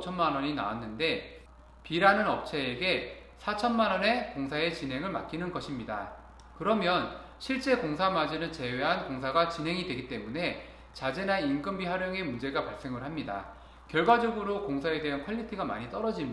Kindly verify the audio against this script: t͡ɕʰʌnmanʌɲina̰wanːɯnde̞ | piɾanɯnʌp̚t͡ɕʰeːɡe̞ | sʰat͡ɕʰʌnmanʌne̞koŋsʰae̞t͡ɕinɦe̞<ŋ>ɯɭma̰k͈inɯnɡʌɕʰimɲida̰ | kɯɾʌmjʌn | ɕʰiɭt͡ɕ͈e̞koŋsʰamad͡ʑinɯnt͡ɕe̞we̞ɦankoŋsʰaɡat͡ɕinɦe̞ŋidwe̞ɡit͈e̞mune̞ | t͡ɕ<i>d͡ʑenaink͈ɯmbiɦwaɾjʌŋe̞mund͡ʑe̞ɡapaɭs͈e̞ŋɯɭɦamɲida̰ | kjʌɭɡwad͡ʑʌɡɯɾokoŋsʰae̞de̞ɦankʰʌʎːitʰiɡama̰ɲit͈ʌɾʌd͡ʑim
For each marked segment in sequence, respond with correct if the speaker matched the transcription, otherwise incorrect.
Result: correct, incorrect: a

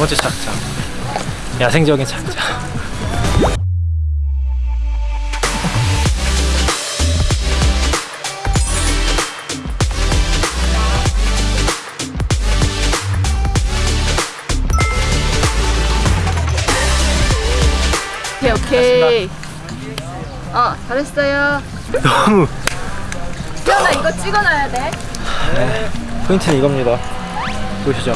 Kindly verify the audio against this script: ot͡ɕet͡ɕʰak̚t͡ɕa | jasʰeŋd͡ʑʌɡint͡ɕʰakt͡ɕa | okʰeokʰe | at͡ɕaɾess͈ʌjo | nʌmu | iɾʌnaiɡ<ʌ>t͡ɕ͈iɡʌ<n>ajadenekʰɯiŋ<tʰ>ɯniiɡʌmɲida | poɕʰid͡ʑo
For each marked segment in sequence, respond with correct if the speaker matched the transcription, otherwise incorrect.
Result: correct, correct, correct

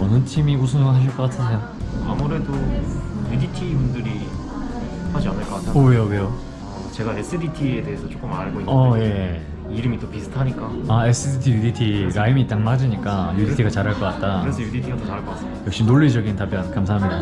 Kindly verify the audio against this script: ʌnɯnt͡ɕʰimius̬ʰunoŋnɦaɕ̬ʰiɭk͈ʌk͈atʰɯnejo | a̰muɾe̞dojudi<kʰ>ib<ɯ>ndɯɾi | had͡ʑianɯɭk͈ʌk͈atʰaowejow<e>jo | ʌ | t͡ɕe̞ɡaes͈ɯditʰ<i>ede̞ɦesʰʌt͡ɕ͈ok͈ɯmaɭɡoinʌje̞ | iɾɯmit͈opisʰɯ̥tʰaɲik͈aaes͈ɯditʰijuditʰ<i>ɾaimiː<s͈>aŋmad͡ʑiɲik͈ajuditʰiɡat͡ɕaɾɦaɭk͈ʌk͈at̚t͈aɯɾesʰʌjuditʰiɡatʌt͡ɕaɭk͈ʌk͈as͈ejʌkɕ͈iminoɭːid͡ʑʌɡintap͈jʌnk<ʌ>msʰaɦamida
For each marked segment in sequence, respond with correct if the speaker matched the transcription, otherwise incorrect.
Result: incorrect: tʰ, incorrect: u, correct, correct, correct, incorrect: t͈, incorrect: a

